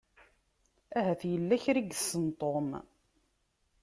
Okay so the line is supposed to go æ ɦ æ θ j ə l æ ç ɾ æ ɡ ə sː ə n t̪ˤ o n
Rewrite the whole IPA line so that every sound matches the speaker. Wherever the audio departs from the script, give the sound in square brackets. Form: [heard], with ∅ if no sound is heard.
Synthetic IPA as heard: æ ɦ æ θ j ə [lː] æ ç ɾ [i] ɡ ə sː ə n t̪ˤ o [m]